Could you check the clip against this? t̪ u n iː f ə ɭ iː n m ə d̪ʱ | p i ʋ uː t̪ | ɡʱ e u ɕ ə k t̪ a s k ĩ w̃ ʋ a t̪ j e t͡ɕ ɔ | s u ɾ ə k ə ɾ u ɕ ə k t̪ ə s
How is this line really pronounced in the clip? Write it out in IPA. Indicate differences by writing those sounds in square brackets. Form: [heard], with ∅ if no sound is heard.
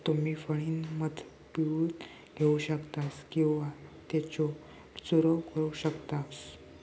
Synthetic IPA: t̪ u [m] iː f ə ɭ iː n m ə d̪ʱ | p i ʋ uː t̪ | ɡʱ e u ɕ ə k t̪ a s k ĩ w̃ ʋ a t̪ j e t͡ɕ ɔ | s u ɾ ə k ə ɾ u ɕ ə k t̪ [a] s

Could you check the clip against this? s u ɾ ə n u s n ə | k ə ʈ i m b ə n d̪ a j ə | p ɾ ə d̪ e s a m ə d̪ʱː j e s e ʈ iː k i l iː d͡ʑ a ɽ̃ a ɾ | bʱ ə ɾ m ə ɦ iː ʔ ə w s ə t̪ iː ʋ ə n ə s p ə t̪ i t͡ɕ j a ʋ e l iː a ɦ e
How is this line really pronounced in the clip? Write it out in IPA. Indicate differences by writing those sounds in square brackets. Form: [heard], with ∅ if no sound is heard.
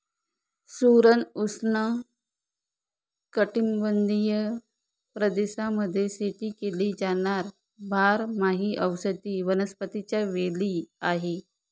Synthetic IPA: s u ɾ ə n u s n ə | k ə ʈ i m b ə n d̪ [i] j ə | p ɾ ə d̪ e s a m ə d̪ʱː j e s e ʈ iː k [e] l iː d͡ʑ a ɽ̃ a ɾ | bʱ [a] ɾ m [a] ɦ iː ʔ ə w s ə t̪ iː ʋ ə n ə s p ə t̪ i t͡ɕ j a ʋ e l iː a ɦ e

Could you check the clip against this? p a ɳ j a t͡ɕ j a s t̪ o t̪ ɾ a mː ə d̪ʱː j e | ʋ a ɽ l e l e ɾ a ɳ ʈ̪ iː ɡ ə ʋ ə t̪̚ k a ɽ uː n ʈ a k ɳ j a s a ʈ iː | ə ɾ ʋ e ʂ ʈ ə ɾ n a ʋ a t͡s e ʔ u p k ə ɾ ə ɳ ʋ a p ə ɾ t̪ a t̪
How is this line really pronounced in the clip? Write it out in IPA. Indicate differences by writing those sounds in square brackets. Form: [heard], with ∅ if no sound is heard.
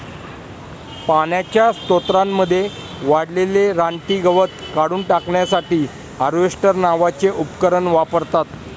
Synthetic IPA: p a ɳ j a t͡ɕ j a s t̪ o t̪ ɾ a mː ə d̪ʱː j e | ʋ a ɽ l e l e ɾ a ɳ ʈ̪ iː ɡ ə ʋ ə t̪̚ k a ɽ uː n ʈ a k ɳ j a s a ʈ iː | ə ɾ ʋ e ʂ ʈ ə ɾ n a ʋ a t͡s e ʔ u p k ə ɾ ə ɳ ʋ a p ə ɾ t̪ a t̪

